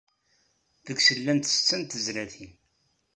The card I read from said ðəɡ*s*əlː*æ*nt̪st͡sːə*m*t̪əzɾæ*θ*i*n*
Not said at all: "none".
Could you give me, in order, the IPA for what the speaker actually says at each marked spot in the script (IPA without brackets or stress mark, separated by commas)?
s, æ, n, θ, n